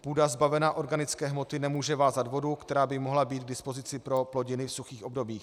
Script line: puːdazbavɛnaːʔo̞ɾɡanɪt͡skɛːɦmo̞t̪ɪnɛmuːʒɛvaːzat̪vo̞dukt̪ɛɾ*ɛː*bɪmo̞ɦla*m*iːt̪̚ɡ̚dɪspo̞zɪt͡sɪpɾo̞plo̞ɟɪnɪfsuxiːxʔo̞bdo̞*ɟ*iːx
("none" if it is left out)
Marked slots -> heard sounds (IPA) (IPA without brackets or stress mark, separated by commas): aː, b, b